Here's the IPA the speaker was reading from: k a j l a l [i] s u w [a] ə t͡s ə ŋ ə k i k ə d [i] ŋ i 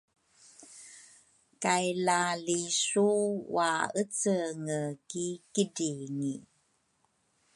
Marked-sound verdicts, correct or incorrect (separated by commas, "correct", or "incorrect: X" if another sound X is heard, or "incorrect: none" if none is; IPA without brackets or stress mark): correct, correct, correct